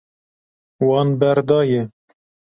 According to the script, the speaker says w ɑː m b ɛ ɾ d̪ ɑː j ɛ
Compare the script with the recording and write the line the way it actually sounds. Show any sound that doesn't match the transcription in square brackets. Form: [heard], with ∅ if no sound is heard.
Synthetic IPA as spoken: w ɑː [n] b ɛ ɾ d̪ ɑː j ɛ

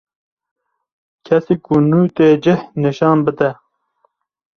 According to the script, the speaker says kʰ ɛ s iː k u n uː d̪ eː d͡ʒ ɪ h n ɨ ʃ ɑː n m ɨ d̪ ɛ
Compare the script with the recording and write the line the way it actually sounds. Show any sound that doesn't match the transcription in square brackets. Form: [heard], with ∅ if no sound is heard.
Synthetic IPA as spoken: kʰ ɛ s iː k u n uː [t̪] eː d͡ʒ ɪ h n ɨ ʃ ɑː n [b] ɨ d̪ ɛ

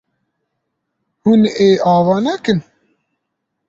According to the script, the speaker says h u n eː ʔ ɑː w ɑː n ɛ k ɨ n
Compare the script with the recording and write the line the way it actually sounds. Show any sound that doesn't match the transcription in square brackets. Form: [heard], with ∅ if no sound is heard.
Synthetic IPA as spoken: h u n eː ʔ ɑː [v] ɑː n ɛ k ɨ n

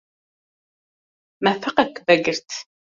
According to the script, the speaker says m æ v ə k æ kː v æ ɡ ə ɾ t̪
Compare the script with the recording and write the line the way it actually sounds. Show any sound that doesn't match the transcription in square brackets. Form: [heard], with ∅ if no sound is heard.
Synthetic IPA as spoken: m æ [f] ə [q] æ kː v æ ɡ ə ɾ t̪

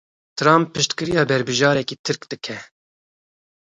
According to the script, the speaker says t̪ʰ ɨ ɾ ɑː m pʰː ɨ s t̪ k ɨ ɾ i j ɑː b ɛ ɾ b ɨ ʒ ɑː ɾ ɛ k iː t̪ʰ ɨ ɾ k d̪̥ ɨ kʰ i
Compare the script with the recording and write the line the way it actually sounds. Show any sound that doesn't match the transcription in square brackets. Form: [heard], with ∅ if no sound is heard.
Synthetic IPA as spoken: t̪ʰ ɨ ɾ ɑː m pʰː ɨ [ʃ] t̪ k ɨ ɾ i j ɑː b ɛ ɾ b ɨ ʒ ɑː ɾ ɛ k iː t̪ʰ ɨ ɾ k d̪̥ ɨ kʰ [ɛ]

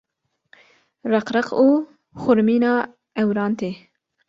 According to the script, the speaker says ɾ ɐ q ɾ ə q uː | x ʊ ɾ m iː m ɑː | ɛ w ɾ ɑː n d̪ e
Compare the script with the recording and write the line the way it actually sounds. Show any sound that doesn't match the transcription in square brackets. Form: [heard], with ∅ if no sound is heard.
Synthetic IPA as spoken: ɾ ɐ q ɾ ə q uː | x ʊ ɾ m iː [n] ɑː | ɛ w ɾ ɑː n [t̪] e

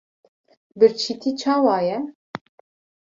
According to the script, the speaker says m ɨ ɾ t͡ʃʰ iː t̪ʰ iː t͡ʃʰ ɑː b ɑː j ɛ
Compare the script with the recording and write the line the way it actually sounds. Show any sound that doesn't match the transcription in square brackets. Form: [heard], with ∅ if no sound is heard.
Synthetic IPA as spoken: [b] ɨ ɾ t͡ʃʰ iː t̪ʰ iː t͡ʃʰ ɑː [w] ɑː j ɛ

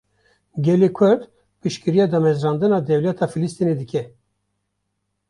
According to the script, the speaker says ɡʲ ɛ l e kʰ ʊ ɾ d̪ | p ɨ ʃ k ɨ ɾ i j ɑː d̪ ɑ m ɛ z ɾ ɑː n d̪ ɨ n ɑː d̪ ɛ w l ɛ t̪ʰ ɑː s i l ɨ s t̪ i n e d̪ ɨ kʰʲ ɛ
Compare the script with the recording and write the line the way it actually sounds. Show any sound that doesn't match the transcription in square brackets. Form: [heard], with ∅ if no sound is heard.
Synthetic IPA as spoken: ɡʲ ɛ l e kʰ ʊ ɾ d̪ | p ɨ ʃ k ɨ ɾ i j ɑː d̪ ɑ m ɛ z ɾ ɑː n d̪ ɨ n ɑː d̪ ɛ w l ɛ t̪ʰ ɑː [f] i l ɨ s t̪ i n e d̪ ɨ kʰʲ ɛ

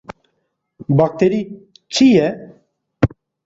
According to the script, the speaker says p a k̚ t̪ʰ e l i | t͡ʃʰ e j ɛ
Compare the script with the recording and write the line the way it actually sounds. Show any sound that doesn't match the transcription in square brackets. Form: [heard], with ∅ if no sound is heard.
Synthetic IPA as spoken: [b] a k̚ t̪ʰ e [ɾ] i | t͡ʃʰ [i] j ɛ

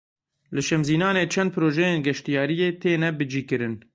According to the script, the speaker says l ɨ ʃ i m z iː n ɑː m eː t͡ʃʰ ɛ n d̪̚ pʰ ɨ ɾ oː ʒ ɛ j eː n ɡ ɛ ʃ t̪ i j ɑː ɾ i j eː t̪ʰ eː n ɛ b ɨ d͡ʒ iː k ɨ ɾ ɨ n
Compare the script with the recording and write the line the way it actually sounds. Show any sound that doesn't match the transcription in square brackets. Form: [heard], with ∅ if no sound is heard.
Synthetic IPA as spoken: l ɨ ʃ [ɛ] m z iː n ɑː [n] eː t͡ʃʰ ɛ n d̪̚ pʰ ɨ ɾ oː ʒ ɛ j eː n ɡ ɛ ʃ t̪ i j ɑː ɾ i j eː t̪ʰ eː n ɛ b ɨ d͡ʒ iː k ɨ ɾ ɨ n

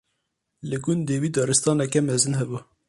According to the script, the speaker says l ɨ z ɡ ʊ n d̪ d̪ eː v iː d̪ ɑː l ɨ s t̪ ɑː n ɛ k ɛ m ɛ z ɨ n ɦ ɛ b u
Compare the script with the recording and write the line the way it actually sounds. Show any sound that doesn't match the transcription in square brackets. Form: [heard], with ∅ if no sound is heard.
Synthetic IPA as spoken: l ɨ [∅] ɡ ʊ n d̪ d̪ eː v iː d̪ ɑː [ɾ] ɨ s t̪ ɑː n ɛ k ɛ m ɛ z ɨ n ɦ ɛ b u

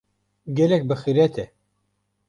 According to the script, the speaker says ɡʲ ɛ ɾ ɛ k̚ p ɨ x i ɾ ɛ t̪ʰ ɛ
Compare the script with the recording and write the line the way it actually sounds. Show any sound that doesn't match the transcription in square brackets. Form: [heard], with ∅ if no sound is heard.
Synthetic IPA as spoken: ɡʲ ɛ [l] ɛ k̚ [b] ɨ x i ɾ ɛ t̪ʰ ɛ

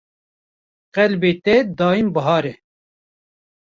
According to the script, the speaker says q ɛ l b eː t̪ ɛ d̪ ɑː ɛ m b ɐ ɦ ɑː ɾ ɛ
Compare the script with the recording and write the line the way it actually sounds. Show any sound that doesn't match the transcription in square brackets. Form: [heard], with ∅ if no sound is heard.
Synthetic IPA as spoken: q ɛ l b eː t̪ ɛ d̪ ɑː [i] m b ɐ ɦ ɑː ɾ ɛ

